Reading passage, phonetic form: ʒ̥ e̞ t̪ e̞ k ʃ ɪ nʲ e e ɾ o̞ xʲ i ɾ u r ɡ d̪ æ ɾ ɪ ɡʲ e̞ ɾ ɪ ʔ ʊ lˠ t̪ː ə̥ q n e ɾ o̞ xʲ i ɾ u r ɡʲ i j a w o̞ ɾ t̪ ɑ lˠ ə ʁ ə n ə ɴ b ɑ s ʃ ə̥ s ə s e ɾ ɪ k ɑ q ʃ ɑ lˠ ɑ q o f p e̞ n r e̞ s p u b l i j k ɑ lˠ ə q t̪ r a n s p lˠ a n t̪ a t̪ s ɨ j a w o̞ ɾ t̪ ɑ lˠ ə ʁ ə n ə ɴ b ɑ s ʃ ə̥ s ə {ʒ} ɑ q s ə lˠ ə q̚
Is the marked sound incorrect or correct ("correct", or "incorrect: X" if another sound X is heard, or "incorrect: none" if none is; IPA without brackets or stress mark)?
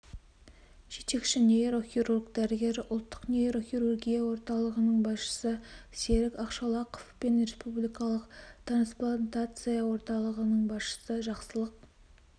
correct